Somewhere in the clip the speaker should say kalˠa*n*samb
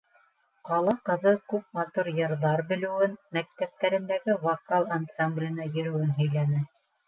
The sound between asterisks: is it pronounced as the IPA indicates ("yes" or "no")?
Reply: yes